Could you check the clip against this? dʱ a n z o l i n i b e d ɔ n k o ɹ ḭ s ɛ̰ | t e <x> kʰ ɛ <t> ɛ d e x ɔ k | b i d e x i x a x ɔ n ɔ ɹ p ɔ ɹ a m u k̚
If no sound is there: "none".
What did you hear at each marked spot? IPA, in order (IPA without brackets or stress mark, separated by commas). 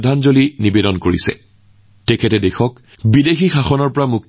none, t